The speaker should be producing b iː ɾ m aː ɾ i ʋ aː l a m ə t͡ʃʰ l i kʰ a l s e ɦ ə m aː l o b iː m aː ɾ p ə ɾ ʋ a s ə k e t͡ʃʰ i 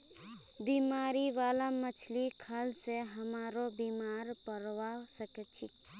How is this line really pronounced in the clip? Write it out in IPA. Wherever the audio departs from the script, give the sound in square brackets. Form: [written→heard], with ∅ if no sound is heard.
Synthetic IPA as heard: b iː [ɾ→∅] m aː ɾ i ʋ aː l a m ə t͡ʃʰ l i kʰ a l s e ɦ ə m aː [l→ɾ] o b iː m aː ɾ p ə ɾ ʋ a s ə k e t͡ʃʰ i